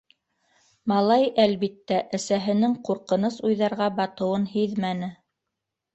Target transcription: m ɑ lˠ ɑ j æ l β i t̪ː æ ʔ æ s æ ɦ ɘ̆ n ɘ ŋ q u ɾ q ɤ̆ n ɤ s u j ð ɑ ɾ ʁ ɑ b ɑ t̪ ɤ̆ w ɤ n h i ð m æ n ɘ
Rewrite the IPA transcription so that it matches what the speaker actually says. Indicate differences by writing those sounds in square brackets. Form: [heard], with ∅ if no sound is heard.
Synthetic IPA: m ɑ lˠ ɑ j æ l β i t̪ː æ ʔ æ s æ ɦ ɘ̆ n ɘ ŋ q u ɾ q ɤ̆ n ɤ s u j ð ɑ ɾ ʁ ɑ b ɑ t̪ ɤ̆ w ɤ n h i ð m æ n ɘ